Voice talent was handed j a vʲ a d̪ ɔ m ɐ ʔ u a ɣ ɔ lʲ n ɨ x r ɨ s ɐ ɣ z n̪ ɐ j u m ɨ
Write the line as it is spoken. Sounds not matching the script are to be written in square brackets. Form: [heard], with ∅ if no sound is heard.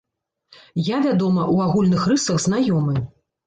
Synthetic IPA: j a vʲ a d̪ ɔ m ɐ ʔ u a ɣ [u] lʲ n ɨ x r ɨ s ɐ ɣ z n̪ [a] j [ɔ] m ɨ